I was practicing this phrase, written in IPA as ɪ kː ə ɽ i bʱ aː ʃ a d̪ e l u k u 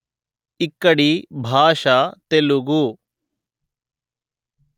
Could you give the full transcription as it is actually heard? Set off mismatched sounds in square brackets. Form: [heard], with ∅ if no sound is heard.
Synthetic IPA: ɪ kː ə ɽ i bʱ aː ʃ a [t̪] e l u [ɡ] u